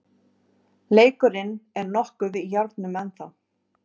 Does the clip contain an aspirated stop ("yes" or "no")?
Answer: no